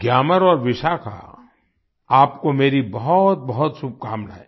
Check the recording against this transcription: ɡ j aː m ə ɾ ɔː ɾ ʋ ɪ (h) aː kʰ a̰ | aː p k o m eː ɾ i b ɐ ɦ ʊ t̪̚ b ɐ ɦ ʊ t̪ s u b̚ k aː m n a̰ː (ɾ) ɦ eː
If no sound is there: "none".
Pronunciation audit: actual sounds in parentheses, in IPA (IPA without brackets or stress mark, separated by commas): ʃ, none